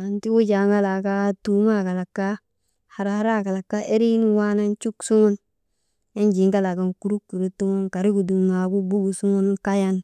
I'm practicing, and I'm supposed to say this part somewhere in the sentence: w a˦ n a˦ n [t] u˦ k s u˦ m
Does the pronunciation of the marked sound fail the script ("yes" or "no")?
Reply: yes